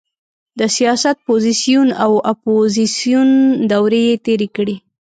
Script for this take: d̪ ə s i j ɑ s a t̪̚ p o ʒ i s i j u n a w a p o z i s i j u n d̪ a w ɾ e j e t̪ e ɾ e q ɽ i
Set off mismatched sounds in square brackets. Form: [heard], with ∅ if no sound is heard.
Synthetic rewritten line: d̪ ə s i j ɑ s a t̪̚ p o [z] i s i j u n a w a p o z i s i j u n d̪ a w ɾ e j e t̪ e ɾ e [k] ɽ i